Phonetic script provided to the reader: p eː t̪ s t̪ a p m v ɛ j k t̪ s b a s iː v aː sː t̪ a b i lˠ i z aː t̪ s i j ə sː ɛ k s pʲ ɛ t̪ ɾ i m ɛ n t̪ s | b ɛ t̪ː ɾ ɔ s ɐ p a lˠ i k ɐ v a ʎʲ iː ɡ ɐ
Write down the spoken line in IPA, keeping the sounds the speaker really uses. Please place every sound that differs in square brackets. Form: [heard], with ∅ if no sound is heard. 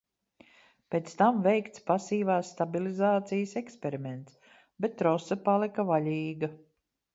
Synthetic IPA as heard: p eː t̪ s t̪ a [∅] m v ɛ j k t̪ s [p] a s iː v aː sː t̪ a b i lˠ i z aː t̪ s i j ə [s] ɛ k s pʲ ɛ [∅] ɾ i m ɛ n t̪ s | b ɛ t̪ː ɾ ɔ s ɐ p a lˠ i k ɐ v a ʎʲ iː ɡ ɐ